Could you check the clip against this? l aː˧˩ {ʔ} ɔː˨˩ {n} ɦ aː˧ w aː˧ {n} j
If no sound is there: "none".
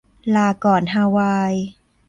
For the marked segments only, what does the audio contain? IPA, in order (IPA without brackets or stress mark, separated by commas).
k, n, none